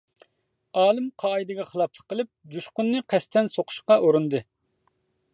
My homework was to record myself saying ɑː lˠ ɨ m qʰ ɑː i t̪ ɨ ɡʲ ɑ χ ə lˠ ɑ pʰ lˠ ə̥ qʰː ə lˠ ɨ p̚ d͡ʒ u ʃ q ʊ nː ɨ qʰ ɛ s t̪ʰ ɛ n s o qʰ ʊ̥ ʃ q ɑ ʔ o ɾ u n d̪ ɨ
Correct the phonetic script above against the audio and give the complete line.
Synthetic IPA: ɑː lˠ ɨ m qʰ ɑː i d̪ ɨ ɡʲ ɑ χ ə lˠ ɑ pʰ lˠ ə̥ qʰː ə lˠ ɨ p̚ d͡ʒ u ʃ q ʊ nː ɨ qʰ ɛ s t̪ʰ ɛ n s o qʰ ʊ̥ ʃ q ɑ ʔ o ɾ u n d̪ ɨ